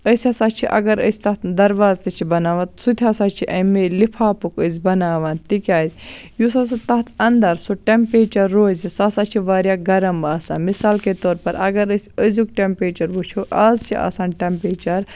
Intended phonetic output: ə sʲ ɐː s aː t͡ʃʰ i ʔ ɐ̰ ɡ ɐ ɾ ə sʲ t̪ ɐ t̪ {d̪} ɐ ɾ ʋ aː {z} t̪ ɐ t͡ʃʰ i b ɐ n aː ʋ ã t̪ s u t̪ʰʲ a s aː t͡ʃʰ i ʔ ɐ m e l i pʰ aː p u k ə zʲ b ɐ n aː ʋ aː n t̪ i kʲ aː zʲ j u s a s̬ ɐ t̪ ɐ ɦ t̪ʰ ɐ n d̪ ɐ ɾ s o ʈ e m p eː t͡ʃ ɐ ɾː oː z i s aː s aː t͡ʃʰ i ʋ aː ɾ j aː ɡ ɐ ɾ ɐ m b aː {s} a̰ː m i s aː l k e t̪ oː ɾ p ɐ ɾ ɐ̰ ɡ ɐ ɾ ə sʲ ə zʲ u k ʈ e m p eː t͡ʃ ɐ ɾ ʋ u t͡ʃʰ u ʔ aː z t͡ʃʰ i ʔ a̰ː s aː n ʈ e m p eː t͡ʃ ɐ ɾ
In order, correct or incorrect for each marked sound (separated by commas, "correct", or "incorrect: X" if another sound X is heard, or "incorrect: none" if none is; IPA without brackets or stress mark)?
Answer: correct, correct, correct